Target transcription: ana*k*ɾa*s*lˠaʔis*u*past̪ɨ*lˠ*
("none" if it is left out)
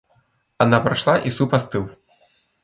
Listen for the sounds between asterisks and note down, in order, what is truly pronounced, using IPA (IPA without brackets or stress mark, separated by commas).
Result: p, ʂ, u, lˠ